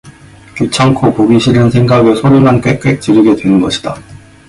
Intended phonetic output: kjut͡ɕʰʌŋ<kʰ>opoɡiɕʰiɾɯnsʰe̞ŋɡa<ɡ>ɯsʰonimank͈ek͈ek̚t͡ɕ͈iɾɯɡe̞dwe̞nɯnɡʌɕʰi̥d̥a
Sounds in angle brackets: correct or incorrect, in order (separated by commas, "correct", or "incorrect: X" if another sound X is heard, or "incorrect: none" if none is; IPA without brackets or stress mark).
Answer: correct, correct